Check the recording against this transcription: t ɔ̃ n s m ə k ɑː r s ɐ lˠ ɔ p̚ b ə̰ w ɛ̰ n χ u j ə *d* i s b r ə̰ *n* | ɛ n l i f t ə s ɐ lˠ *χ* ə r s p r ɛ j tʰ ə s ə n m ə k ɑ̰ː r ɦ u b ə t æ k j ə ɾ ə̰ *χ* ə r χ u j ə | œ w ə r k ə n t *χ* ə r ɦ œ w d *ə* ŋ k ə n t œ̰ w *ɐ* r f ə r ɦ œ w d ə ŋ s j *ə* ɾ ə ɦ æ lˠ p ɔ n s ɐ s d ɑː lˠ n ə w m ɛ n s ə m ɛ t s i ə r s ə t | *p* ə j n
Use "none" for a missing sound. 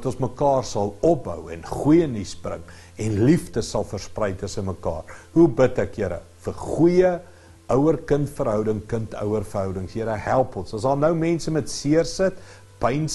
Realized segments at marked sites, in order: n, ŋ, f, f, f, ə, ə, ə, p

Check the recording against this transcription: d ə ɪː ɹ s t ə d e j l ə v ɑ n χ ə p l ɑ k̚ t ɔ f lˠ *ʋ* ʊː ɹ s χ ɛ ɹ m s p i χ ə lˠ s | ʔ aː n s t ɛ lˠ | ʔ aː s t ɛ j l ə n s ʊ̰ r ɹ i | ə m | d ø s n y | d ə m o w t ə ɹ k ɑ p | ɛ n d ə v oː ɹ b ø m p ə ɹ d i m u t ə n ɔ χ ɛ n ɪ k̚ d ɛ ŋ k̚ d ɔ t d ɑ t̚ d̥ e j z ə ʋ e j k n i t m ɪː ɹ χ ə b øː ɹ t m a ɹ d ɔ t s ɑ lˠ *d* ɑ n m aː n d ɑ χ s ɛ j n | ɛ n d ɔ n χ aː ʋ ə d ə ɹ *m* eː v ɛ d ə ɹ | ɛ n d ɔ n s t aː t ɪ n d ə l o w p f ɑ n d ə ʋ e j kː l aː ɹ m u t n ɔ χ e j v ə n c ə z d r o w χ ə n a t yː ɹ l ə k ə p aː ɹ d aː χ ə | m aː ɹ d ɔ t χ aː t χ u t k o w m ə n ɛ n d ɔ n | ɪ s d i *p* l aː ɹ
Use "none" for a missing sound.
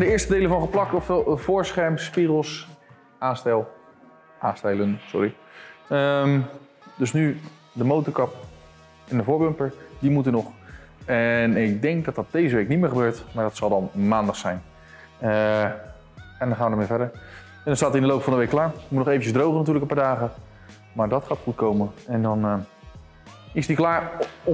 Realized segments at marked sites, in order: v, d, m, k

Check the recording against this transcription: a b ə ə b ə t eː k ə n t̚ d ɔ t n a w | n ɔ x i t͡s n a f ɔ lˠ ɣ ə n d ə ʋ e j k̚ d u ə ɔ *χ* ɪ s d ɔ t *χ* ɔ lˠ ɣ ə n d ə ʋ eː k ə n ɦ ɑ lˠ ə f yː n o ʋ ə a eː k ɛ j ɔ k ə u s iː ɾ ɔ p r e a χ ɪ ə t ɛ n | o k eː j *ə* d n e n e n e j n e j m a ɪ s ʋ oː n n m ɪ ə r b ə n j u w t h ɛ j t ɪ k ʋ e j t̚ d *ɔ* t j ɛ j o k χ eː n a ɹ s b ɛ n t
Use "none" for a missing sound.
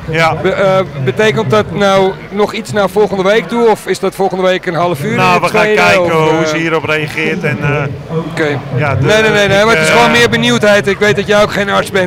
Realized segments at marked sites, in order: f, f, a, ɔ

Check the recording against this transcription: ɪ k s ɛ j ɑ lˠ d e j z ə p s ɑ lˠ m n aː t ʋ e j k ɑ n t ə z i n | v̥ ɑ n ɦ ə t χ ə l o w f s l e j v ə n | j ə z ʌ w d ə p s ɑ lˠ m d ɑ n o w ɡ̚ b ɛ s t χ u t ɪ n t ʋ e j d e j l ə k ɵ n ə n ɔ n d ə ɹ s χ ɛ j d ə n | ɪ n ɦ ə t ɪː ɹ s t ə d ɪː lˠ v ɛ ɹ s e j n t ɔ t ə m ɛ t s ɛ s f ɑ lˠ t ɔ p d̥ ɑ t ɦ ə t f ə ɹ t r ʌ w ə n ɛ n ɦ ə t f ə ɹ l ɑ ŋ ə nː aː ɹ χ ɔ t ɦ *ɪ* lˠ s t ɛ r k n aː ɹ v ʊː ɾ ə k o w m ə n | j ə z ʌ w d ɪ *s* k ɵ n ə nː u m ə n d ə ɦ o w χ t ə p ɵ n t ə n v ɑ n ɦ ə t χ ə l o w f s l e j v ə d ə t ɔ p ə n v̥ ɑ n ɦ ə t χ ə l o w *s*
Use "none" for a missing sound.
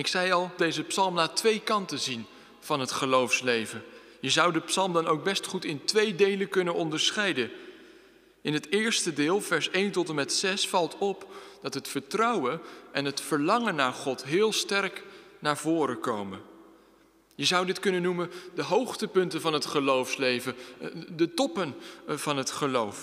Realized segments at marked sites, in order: ɪː, t, f

